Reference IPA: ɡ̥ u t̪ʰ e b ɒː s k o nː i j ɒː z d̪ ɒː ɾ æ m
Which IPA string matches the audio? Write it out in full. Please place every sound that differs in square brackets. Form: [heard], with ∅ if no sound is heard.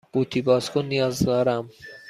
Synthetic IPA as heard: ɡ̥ u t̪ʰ [i] b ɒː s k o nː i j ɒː z d̪ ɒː ɾ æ m